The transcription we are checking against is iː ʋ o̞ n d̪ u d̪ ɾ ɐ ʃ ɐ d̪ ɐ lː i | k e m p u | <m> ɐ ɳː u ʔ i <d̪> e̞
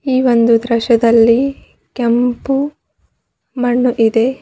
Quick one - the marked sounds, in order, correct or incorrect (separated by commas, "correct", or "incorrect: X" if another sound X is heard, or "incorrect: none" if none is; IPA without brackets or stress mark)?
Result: correct, correct